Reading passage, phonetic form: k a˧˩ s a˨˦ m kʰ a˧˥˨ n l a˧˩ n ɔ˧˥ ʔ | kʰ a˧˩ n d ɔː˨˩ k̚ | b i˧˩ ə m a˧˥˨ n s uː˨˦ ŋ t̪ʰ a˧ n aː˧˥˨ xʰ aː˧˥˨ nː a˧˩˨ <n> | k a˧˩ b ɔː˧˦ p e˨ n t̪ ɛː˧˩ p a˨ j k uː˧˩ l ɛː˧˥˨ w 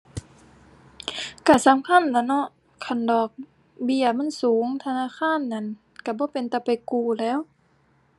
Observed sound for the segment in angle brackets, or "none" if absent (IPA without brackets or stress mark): n